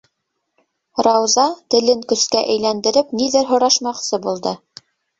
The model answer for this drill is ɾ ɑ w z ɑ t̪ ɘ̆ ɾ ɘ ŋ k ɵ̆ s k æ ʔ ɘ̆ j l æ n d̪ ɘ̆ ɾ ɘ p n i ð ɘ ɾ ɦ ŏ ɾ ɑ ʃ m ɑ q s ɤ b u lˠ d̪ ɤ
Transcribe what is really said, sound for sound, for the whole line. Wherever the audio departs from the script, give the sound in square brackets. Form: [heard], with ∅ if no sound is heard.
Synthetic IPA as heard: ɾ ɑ w z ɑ t̪ ɘ̆ [l] ɘ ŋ k ɵ̆ s k æ ʔ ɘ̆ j l æ n d̪ ɘ̆ ɾ ɘ p n i ð ɘ ɾ ɦ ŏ ɾ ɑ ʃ m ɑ q s ɤ b u lˠ d̪ ɤ